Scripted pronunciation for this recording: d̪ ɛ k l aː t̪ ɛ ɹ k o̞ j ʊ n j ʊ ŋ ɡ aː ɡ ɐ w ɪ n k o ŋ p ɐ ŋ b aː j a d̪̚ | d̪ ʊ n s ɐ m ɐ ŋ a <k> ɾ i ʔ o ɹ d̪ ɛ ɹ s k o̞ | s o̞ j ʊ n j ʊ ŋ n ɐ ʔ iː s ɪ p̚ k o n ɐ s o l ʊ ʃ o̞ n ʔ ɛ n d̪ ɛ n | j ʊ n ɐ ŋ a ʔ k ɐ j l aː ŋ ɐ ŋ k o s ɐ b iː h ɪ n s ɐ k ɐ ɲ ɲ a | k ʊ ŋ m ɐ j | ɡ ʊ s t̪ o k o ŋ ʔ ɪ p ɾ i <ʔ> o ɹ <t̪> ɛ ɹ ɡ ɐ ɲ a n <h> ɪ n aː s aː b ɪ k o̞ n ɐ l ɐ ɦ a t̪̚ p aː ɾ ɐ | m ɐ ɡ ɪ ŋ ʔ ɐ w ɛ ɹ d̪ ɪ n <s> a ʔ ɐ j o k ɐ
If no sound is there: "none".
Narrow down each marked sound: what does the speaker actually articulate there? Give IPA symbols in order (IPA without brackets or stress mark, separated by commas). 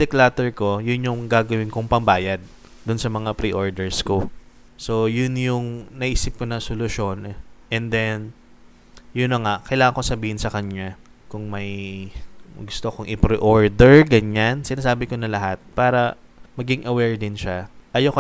p, ʔ, d̪, s, ʃ